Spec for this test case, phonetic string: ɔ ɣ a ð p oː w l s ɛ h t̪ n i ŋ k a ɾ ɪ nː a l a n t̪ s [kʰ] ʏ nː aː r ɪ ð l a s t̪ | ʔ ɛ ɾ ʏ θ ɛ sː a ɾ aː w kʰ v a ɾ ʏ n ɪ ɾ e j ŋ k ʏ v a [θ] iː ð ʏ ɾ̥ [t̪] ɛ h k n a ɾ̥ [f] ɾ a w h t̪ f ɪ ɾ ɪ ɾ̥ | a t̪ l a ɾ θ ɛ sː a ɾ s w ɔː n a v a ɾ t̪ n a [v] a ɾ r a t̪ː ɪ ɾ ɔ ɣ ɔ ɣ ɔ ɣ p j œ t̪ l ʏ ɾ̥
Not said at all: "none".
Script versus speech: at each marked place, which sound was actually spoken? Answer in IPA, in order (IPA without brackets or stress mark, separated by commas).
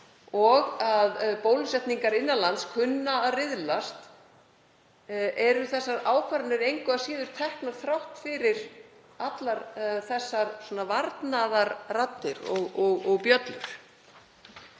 kʰ, s, t̪ʰ, θ, ð